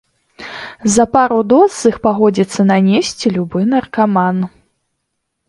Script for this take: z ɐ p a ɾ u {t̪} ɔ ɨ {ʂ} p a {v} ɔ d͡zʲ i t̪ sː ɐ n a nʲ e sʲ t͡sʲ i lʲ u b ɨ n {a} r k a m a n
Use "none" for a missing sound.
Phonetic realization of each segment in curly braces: d̪, x, ɣ, ɐ

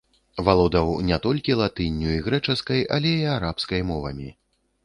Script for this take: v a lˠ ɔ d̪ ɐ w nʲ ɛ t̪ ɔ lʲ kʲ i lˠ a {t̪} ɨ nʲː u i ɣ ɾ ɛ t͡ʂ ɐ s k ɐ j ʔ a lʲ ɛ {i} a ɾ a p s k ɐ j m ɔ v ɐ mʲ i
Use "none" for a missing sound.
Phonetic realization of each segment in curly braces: t̪, i

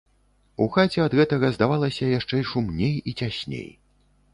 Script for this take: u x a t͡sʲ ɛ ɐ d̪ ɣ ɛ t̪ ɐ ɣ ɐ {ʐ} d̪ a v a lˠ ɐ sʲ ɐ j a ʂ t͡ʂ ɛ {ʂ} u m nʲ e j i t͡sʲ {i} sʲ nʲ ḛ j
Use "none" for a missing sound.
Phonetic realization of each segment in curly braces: z, ʂ, a

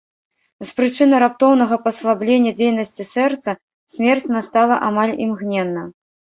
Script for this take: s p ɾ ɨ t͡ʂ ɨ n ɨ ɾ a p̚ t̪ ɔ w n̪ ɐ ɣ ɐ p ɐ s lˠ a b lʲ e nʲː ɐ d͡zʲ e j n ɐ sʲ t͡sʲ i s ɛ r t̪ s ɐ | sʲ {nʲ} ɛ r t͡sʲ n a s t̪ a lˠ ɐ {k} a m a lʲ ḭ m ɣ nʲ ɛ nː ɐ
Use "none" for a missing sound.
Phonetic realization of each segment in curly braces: mʲ, ʔ

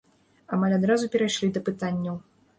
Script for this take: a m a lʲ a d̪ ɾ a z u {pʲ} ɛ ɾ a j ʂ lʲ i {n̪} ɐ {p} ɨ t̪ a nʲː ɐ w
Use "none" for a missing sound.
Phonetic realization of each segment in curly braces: pʲ, d̪, p

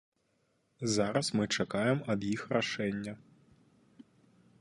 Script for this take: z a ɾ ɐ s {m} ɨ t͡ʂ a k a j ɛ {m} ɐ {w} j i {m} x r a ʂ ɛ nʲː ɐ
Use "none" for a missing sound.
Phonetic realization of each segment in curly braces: m, m, b, none

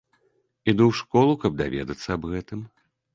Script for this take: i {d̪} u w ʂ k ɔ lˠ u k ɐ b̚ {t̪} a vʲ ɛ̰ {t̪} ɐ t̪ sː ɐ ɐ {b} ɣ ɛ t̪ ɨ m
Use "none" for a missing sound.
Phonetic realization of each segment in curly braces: d̪, d̪, d̪, b

